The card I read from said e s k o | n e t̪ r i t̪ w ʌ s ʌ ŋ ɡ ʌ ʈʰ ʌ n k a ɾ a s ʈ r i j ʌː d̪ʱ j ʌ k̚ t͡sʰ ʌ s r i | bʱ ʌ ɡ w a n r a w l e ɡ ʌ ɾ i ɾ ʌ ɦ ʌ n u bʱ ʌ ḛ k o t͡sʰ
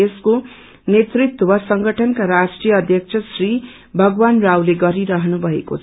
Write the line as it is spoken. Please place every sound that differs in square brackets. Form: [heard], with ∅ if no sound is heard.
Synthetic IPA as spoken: e s k o | n e t̪ r i t̪ w ʌ s ʌ ŋ ɡ ʌ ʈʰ ʌ n k a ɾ a s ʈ r i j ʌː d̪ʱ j ʌ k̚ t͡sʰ ʌ s r i | bʱ ʌ ɡ w a n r a w l e ɡ ʌ ɾ i ɾ ʌ ɦ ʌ n u bʱ ʌ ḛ k o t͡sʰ